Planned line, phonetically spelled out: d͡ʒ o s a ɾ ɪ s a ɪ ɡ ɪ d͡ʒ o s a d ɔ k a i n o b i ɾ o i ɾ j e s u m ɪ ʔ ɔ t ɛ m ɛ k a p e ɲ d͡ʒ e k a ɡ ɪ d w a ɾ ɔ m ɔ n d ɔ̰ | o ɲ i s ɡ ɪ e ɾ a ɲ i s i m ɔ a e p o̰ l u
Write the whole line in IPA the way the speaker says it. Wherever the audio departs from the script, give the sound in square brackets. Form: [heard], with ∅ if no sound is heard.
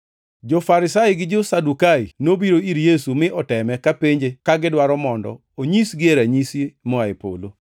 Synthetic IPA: d͡ʒ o [f] a ɾ ɪ s a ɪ ɡ ɪ d͡ʒ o s a d [u] k a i n o b i ɾ o i ɾ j e s u m ɪ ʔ ɔ t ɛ m ɛ k a p e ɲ d͡ʒ e k a ɡ ɪ d w a ɾ ɔ m ɔ n d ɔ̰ | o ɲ i s ɡ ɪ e ɾ a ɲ i s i m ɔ a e p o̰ l [o]